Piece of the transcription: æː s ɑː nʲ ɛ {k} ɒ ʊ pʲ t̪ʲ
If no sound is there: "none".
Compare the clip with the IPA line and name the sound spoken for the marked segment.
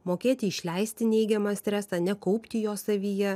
k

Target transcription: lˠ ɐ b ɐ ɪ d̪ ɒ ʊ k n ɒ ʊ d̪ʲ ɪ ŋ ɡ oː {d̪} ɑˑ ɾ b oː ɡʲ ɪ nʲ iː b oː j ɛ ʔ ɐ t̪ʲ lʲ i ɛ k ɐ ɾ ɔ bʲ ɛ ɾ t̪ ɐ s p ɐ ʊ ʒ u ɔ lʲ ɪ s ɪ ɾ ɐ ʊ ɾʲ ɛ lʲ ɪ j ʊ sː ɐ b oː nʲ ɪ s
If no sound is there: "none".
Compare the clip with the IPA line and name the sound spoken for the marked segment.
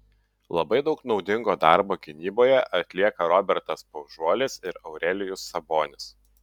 d̪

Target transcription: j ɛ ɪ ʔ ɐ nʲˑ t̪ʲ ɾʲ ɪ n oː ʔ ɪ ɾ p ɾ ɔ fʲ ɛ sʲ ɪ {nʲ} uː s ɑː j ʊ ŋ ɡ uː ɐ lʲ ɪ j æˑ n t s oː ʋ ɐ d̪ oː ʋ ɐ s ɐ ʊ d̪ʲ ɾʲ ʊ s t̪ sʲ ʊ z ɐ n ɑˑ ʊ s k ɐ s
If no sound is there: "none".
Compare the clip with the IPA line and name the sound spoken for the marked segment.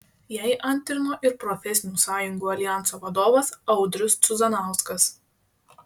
nʲ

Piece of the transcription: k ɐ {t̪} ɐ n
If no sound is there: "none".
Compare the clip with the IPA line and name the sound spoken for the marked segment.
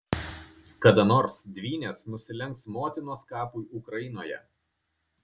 d̪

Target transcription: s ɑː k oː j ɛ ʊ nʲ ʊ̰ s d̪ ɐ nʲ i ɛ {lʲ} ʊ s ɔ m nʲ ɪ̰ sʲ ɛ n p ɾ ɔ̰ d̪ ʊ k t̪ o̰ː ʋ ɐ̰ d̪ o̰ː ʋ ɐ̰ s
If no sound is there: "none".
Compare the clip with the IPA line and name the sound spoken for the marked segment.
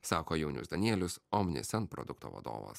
lʲ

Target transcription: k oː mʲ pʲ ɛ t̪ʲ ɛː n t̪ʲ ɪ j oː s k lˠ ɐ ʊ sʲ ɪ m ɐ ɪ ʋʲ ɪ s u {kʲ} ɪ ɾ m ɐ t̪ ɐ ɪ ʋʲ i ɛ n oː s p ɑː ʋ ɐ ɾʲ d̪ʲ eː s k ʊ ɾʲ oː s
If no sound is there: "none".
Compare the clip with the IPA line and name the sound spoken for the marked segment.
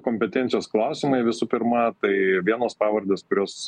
pʲ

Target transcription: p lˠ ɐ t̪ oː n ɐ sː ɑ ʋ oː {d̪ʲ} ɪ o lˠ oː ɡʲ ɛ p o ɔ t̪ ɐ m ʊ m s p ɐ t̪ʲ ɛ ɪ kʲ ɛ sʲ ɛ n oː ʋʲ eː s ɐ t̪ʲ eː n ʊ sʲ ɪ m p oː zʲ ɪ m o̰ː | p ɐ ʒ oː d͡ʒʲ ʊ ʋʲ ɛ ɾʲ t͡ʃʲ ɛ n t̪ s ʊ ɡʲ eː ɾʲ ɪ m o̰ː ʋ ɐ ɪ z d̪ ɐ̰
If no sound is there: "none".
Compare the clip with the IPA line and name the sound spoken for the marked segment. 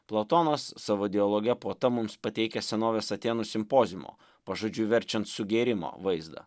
d̪ʲ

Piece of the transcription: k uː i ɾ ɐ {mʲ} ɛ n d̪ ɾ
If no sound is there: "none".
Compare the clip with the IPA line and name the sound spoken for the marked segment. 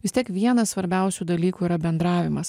bʲ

